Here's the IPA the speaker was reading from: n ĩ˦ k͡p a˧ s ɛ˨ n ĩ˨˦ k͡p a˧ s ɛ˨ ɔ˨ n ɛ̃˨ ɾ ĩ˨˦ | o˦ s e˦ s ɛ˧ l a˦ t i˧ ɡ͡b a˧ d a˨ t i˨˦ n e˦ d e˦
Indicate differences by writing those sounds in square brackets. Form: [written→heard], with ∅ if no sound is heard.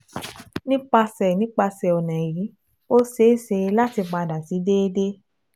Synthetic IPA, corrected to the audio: n ĩ˦ k͡p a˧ s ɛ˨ n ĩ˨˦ k͡p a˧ s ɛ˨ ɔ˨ n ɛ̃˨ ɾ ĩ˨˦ | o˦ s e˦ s [ɛ˧→e˧] l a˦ t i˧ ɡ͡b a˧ d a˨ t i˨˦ [n→d] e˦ d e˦